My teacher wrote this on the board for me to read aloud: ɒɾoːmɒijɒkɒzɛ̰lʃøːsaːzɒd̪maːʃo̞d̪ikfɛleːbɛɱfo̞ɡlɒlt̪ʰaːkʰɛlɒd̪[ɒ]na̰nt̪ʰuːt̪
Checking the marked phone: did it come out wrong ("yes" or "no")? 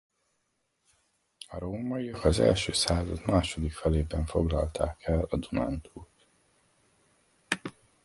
yes